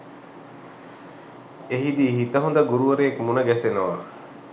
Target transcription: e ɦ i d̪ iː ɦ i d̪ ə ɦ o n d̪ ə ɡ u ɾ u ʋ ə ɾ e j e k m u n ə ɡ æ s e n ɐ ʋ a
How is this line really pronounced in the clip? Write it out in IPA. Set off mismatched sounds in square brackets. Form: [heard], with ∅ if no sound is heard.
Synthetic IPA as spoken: e ɦ i d̪ iː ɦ i [t̪] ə ɦ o n d̪ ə ɡ u ɾ u ʋ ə ɾ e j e k m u n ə ɡ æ s e n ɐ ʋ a